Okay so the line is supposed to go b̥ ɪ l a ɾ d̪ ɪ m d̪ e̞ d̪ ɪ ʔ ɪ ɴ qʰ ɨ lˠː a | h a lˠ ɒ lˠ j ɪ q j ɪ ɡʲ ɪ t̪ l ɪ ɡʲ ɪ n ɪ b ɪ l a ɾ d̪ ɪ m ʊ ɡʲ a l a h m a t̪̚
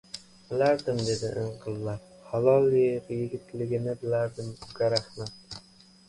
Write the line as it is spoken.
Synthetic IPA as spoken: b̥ ɪ l a ɾ d̪ ɪ m d̪ e̞ d̪ ɪ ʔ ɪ ɴ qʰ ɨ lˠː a | h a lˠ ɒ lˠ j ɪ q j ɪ ɡʲ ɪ t̪ l ɪ ɡʲ ɪ n ɪ b ɪ l a ɾ d̪ ɪ m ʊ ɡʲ a ɾ a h m a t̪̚